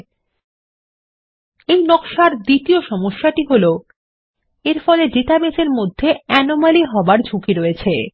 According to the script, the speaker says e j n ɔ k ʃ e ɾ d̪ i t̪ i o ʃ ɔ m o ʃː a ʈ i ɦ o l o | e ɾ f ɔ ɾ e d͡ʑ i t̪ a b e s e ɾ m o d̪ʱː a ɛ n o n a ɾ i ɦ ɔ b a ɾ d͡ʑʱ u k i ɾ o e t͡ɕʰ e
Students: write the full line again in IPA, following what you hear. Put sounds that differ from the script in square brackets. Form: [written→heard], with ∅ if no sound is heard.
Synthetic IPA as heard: e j n ɔ k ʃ [e→a] ɾ d̪ i t̪ i o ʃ ɔ m o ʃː a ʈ i ɦ o l o | e ɾ f ɔ [ɾ→l] e d͡ʑ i t̪ a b e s e ɾ m o d̪ʱː [a→e] ɛ n o [n→m] a [ɾ→l] i ɦ ɔ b a ɾ d͡ʑʱ u k i ɾ o e t͡ɕʰ e